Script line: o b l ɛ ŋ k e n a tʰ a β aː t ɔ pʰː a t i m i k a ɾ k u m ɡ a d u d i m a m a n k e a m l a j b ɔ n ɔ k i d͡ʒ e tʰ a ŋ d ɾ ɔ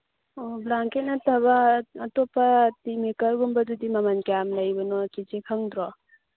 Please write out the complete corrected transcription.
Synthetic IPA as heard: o b l a ŋ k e n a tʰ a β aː t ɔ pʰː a t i m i k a ɾ ɡ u m b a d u d i m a m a n k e a m l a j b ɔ n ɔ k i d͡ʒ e kʰ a ŋ d ɾ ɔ